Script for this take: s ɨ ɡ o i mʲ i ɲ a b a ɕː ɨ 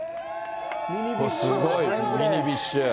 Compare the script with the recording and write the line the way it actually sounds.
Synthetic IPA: s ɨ ɡ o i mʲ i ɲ i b i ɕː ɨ